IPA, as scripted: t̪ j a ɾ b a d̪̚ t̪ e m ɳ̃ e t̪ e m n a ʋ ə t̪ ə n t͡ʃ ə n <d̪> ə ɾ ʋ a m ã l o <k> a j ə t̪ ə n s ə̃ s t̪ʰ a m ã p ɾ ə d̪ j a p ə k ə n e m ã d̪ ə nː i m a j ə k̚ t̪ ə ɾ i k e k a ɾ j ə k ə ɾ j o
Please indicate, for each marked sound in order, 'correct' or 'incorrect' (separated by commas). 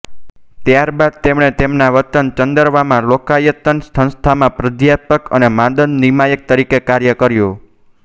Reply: correct, correct